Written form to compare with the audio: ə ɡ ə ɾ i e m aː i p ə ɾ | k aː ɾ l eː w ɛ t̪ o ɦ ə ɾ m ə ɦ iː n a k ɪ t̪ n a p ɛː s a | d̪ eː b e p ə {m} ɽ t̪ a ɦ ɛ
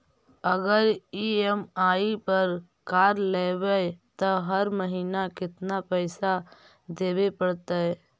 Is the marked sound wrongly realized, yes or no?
yes